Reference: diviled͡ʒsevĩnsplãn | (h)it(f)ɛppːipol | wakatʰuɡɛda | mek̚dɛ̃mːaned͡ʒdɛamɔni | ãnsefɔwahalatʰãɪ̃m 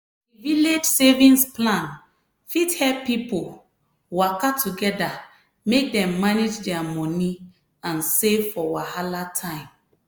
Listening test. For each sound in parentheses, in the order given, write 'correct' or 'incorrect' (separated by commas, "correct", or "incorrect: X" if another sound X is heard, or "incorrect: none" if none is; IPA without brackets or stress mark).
incorrect: f, incorrect: h